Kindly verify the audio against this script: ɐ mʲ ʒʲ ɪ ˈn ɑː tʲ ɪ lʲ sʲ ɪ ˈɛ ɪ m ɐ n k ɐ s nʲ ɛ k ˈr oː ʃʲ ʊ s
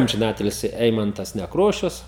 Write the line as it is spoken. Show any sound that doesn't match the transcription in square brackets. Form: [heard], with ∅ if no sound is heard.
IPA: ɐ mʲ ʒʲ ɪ ˈn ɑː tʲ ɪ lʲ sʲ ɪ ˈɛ ɪ m ɐ n [t] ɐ s nʲ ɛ k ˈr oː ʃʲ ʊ s